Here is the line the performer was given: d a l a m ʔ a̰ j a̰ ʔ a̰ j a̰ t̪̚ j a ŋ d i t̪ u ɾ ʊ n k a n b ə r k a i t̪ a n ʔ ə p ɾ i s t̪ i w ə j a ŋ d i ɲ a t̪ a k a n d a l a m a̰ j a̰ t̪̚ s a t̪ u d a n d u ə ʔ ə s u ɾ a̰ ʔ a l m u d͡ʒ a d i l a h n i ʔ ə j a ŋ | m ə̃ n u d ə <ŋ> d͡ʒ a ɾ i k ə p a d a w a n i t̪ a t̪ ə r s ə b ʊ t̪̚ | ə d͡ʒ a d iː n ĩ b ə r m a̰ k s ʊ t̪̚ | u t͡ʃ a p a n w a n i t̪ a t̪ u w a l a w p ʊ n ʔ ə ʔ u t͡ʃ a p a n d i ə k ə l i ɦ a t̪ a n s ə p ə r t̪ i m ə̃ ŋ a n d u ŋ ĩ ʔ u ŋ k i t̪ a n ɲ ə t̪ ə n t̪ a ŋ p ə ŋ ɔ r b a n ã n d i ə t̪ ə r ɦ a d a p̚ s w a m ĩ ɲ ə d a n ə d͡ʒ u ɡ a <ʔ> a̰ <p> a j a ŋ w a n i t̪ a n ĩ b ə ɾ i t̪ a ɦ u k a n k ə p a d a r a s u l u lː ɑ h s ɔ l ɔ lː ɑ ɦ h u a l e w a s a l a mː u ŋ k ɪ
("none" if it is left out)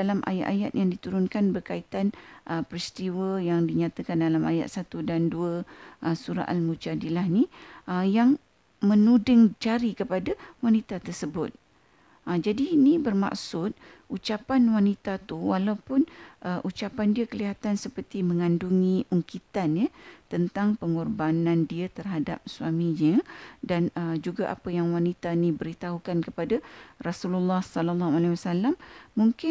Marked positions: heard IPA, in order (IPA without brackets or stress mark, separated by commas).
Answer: ŋ, ʔ, p